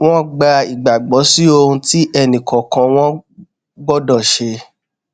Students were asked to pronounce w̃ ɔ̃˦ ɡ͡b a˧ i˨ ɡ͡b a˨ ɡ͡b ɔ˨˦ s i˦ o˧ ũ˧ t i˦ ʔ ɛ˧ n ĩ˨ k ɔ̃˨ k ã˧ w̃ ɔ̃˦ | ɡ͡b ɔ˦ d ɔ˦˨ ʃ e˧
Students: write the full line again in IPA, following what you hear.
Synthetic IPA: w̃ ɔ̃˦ ɡ͡b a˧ i˨ ɡ͡b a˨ ɡ͡b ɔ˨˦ s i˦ o˧ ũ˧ t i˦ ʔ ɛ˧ n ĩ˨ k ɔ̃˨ k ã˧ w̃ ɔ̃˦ | ɡ͡b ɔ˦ d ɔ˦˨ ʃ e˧